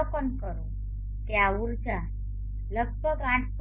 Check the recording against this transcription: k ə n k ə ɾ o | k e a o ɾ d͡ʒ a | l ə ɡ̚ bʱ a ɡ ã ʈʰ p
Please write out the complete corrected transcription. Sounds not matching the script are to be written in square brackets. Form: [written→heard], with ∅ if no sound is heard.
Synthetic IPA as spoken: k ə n k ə ɾ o | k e a [o→u] ɾ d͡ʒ a | l ə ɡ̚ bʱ [a→ə] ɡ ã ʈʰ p

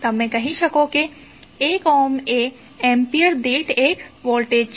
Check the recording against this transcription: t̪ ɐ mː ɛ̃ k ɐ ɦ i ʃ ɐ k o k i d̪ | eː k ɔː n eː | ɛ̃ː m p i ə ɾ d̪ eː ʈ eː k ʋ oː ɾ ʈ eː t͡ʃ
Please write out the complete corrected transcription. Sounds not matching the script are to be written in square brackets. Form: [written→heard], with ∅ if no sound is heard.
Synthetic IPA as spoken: t̪ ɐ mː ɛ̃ k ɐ ɦ i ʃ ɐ k o k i [d̪→∅] | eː k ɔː [n→m] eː | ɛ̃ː m p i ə ɾ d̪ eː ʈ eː k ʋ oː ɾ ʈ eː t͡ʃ

